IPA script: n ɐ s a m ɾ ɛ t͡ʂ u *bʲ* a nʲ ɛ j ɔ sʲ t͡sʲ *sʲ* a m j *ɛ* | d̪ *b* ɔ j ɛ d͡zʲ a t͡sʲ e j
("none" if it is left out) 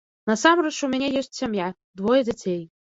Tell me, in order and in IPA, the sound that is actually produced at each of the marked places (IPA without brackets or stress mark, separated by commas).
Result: mʲ, sʲ, a, v